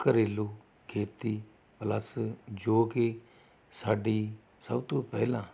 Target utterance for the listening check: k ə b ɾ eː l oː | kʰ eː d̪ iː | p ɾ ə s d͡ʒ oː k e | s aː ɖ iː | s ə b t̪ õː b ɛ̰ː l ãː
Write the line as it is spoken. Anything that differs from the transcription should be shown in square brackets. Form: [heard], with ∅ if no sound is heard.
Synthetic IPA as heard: k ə [∅] ɾ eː l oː | kʰ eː [t̪] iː | p [l] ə s d͡ʒ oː k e | s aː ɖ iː | s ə b t̪ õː [p] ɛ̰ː l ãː